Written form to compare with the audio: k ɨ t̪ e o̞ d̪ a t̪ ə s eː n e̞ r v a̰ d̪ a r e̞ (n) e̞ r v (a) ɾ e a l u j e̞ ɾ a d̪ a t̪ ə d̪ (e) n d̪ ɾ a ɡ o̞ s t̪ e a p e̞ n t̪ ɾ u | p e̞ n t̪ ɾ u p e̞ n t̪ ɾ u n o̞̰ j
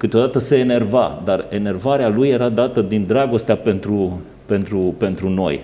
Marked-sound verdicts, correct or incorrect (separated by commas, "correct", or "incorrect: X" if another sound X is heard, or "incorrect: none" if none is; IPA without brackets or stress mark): correct, correct, incorrect: i